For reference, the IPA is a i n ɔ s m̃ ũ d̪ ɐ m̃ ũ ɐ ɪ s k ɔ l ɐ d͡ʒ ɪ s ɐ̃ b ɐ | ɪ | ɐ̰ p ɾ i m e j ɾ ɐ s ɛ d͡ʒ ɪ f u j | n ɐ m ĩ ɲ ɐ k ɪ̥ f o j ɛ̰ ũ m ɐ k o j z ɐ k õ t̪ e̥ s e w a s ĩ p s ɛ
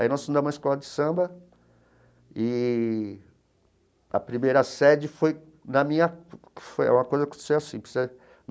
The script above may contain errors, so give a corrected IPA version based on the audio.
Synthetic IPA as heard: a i n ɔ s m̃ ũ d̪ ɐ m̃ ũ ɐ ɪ s k ɔ l ɐ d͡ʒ ɪ s ɐ̃ b ɐ | ɪ | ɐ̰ p ɾ i m e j ɾ ɐ s ɛ d͡ʒ ɪ f o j | n ɐ m ĩ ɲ ɐ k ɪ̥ f o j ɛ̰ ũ m ɐ k o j z ɐ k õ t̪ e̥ s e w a s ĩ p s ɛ